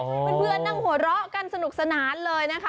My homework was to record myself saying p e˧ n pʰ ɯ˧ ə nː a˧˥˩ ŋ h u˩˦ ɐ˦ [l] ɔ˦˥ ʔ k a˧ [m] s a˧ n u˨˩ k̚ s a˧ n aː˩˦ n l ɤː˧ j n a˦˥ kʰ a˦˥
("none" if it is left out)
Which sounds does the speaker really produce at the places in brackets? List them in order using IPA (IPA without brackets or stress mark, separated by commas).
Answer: ɾ, n